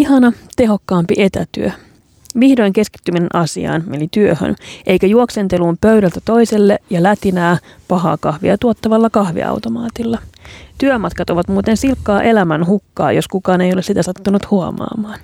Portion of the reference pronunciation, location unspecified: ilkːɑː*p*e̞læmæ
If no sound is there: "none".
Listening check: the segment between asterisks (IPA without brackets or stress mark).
ʔ